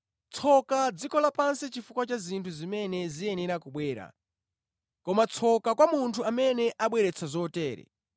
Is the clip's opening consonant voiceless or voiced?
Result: voiceless